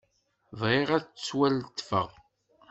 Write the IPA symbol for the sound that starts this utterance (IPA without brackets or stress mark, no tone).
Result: v